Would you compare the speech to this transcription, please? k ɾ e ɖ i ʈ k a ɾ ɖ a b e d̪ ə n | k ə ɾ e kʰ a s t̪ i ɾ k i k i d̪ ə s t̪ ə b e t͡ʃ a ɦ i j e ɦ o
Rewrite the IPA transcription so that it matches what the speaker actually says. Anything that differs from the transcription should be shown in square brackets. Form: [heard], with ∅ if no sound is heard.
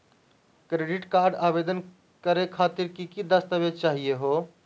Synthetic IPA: k ɾ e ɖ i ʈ k a ɾ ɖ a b e d̪ ə n | k ə ɾ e kʰ a [∅] t̪ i ɾ k i k i d̪ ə s t̪ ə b e t͡ʃ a ɦ i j e ɦ o